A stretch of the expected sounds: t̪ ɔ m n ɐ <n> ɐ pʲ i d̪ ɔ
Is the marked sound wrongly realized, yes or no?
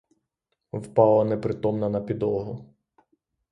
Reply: no